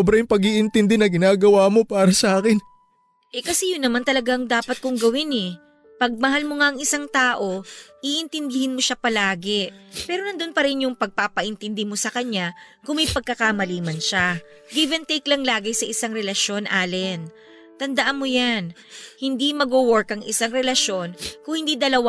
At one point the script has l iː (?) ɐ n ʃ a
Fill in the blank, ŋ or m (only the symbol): m